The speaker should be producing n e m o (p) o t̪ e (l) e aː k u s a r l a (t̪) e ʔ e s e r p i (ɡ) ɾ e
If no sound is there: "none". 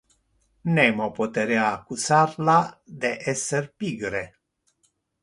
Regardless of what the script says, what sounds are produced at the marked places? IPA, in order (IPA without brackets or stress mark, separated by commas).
p, ɾ, d̪, ɡ